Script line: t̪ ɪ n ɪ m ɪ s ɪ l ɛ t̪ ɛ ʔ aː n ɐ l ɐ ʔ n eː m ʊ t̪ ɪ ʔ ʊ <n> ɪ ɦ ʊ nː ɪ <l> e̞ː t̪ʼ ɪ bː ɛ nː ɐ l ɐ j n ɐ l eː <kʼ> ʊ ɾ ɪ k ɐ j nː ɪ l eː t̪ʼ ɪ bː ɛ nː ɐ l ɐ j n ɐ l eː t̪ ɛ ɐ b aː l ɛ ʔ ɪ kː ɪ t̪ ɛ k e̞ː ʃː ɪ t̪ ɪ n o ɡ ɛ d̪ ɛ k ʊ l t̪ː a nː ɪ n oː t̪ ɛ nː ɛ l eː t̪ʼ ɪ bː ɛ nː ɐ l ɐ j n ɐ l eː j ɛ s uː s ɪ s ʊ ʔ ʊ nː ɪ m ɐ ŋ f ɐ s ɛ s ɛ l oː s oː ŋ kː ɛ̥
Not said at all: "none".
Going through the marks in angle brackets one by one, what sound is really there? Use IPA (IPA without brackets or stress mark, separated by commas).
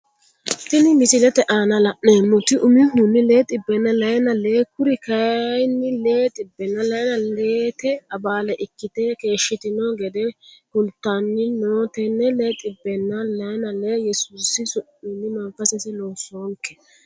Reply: m, l, k